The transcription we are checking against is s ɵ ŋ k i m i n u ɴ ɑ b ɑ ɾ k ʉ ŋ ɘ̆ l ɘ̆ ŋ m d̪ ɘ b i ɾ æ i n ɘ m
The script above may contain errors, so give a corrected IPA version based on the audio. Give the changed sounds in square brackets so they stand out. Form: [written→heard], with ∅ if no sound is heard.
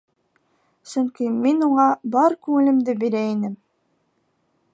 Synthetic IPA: s ɵ ŋ k i m i n u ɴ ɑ b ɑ ɾ k ʉ ŋ ɘ̆ l ɘ̆ [ŋ→∅] m d̪ ɘ b i ɾ æ i n ɘ m